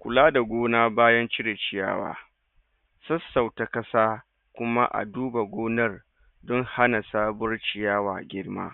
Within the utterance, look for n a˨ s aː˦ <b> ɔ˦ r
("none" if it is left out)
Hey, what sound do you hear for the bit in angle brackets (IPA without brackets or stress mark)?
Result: b